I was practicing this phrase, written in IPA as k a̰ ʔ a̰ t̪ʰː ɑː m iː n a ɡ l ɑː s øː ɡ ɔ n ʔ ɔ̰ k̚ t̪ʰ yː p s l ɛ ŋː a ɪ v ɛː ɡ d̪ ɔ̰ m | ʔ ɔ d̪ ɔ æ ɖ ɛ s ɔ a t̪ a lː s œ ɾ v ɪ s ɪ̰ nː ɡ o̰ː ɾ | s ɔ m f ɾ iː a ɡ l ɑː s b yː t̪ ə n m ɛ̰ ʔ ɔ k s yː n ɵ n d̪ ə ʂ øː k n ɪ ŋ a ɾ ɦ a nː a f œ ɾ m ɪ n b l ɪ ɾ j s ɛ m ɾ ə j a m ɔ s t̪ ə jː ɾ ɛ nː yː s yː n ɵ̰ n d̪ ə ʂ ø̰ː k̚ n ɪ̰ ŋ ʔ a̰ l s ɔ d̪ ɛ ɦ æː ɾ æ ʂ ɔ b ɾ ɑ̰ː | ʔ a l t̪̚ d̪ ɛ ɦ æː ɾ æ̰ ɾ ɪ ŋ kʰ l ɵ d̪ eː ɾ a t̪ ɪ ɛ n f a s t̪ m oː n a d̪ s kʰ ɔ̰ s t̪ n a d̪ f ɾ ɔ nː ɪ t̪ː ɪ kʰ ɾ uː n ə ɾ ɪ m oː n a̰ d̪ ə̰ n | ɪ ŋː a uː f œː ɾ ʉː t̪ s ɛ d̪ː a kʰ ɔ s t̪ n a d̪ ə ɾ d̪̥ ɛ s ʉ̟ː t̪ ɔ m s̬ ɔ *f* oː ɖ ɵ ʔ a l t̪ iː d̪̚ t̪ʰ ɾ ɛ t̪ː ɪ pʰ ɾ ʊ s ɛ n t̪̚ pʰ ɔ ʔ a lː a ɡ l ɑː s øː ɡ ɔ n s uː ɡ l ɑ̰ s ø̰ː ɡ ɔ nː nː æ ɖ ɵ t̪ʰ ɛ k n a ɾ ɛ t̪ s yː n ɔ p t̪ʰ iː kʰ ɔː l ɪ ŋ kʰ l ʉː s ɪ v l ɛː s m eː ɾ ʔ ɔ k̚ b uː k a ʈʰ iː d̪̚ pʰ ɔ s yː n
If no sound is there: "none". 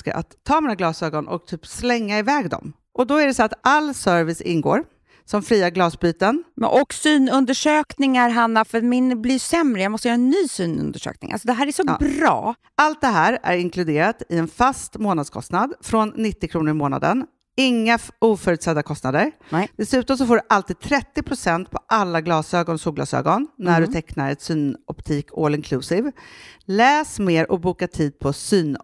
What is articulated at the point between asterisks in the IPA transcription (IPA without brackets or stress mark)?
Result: f